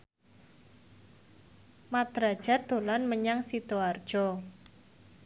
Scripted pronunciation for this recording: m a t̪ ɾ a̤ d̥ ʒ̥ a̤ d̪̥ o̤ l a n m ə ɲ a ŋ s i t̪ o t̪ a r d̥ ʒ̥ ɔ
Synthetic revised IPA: m a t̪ ɾ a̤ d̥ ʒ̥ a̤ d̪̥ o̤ l a n m ə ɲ a ŋ s i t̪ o a r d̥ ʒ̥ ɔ